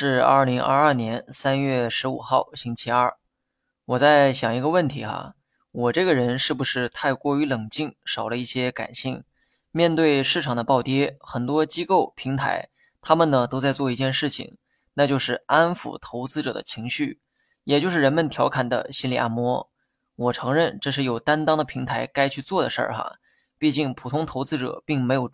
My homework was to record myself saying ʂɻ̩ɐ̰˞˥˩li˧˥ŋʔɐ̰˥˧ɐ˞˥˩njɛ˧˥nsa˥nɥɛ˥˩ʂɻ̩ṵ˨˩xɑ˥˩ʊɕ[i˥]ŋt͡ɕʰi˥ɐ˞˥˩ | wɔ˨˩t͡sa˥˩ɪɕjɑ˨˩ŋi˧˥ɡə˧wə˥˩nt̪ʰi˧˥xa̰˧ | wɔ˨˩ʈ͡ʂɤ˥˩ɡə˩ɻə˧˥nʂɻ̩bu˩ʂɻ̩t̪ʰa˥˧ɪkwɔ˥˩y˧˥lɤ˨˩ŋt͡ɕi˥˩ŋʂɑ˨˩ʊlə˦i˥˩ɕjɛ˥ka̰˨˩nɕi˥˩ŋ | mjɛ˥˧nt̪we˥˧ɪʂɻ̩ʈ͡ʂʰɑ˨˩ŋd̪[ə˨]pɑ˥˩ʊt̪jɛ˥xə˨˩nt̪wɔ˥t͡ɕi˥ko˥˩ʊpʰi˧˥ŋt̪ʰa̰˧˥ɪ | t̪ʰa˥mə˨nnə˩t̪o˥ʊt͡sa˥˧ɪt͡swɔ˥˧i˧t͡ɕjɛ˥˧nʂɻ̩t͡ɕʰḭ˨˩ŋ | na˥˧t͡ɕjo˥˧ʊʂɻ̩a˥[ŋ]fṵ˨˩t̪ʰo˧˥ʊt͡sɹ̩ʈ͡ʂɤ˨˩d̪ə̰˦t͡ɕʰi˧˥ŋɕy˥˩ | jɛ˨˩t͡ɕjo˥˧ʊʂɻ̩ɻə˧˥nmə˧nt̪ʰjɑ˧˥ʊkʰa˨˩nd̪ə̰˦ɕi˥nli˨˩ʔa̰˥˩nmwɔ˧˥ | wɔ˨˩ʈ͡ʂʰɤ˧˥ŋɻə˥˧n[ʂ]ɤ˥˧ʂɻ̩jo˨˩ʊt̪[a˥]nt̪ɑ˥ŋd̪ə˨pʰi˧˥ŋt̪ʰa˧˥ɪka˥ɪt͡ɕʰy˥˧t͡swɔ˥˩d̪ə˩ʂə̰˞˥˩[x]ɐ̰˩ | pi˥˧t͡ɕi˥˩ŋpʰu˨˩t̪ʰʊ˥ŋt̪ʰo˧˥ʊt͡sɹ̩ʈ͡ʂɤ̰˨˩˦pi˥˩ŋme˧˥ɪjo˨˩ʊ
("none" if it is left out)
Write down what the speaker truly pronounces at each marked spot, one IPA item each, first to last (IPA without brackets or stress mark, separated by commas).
i˥, ə˦, n, ʈ͡ʂ, a˥, x